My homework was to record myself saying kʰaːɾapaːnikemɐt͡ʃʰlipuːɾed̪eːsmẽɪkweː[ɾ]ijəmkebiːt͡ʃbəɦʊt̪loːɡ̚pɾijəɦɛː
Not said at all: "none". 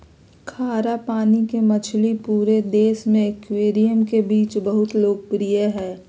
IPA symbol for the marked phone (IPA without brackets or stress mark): ɾ